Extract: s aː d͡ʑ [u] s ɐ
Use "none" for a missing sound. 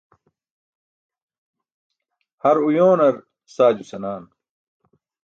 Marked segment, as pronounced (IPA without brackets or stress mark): u